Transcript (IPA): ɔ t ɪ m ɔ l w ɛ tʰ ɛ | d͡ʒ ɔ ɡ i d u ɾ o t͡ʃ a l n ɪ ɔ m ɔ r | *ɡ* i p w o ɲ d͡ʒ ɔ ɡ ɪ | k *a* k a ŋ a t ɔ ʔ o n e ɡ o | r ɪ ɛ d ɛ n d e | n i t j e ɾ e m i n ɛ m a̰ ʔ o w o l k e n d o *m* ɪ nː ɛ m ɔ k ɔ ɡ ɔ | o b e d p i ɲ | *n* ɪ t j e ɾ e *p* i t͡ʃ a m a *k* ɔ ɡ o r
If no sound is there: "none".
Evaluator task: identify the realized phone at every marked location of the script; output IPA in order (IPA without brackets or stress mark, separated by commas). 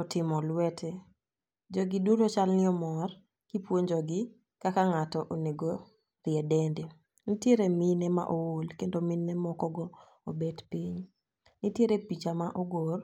k, a, m, n, p, ʔ